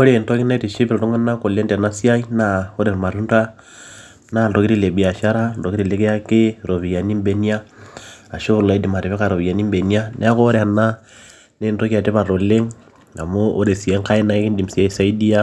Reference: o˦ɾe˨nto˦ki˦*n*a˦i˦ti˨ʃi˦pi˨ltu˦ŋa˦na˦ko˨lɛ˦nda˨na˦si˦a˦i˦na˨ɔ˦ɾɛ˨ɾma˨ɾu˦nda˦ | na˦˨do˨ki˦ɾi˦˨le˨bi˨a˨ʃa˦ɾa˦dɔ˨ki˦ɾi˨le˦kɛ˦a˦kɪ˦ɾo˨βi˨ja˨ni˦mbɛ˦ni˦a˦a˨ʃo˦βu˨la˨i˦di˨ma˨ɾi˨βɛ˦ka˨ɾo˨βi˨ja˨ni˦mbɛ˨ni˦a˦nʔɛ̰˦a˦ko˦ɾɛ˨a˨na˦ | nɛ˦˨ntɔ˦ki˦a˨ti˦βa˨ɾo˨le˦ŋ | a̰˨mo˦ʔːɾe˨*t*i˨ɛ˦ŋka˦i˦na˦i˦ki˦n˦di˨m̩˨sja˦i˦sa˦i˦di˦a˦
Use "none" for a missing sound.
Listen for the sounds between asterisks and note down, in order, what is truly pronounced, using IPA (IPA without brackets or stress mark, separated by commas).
n, s